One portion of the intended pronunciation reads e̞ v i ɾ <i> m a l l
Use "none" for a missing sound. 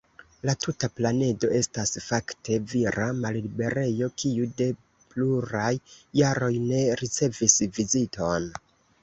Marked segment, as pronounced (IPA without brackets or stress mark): a